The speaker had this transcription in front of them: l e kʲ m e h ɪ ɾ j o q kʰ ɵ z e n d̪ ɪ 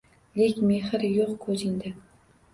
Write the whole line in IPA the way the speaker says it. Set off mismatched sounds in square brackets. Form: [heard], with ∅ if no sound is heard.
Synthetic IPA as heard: l e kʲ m e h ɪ ɾ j o q kʰ ɵ z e n d̪ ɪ